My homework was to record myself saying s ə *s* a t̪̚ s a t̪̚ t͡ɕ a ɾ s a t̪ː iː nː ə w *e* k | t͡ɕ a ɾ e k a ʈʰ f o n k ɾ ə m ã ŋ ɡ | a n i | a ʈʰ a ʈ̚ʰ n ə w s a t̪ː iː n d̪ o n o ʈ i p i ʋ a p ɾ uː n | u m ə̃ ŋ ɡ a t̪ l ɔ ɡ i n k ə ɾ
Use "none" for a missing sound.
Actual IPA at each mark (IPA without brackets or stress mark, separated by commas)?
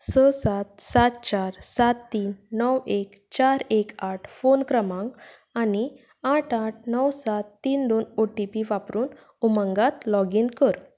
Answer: s, e